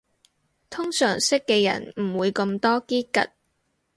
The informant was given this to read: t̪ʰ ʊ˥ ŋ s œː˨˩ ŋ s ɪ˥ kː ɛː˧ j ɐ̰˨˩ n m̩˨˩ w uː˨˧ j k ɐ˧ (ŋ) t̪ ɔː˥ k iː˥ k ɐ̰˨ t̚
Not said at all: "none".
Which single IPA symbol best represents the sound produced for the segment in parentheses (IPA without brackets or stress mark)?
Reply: m